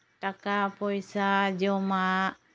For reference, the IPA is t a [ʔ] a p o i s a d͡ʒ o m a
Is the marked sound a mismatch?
yes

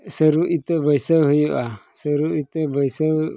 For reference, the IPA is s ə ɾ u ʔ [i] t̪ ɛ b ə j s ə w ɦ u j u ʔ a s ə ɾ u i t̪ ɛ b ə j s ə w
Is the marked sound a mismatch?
no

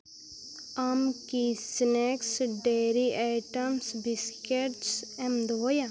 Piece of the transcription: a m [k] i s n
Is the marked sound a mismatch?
no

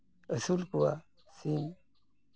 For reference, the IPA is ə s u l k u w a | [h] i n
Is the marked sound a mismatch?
yes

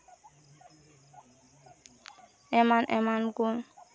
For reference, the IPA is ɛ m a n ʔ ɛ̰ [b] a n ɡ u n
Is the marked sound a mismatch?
yes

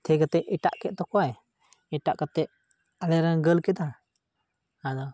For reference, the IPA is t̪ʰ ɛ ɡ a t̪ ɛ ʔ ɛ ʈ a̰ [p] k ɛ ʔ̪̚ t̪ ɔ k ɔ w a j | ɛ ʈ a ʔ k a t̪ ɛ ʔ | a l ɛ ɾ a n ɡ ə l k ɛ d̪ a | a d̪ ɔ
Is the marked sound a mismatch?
yes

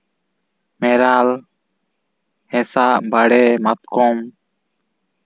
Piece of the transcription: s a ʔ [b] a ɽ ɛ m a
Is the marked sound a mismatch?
no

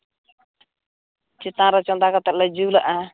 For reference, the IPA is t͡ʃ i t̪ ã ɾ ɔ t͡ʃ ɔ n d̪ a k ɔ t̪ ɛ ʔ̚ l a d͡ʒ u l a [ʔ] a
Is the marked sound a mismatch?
no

